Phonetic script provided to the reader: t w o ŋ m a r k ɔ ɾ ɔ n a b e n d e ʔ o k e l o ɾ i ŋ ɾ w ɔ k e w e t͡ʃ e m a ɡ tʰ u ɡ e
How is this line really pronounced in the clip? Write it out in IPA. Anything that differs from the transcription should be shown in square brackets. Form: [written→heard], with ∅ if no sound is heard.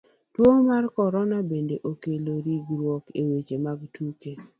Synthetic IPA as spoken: t w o ŋ m a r k ɔ ɾ ɔ n a b e n d e ʔ o k e l o ɾ i [ŋ→ɡ] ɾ w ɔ k e w e t͡ʃ e m a ɡ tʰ u [ɡ→k] e